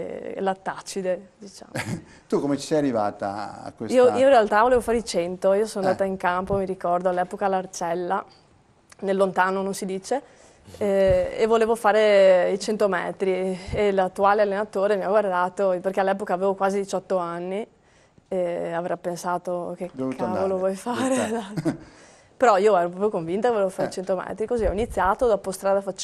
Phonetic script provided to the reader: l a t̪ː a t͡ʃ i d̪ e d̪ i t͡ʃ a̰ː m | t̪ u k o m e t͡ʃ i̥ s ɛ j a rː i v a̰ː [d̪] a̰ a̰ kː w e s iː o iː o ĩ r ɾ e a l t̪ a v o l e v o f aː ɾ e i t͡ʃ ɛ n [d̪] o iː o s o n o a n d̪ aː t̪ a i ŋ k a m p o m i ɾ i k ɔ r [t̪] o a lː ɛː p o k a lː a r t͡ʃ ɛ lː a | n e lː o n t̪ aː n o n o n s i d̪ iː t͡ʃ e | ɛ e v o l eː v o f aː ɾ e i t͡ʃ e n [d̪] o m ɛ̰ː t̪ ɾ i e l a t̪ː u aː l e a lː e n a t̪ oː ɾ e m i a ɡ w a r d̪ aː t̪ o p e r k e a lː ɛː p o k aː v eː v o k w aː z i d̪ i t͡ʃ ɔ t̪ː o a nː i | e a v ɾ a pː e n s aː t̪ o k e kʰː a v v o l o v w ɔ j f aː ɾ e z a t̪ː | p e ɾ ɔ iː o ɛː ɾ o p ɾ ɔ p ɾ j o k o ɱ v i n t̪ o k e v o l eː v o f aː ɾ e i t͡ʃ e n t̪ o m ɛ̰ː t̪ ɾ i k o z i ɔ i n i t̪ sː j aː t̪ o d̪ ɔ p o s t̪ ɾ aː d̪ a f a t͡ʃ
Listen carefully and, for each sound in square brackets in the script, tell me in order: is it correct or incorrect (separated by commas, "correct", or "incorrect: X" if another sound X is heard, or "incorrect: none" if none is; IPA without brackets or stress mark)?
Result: incorrect: t̪, incorrect: t̪, incorrect: d̪, incorrect: t̪